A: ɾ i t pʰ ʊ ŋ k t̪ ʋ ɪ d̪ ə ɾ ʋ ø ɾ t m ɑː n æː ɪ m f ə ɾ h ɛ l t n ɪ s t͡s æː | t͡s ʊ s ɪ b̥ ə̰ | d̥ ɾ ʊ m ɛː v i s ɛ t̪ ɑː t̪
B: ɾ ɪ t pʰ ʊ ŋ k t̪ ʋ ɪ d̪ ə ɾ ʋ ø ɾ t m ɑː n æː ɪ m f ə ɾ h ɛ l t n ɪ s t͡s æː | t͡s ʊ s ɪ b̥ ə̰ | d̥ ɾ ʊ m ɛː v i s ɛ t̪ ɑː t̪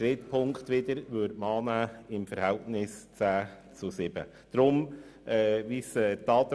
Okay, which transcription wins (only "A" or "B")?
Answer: B